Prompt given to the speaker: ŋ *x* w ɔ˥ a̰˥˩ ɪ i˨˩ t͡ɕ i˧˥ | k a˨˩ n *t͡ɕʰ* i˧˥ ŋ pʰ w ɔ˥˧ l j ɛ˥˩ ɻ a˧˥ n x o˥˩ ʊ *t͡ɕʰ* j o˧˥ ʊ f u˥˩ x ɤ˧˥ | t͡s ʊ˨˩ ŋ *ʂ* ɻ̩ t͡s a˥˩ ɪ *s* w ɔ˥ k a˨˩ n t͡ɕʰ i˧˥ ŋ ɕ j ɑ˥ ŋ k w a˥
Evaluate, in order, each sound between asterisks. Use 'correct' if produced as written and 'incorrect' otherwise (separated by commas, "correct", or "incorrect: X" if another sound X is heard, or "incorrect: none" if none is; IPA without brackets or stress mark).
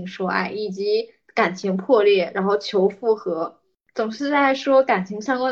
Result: incorrect: ʂ, correct, correct, correct, incorrect: ʂ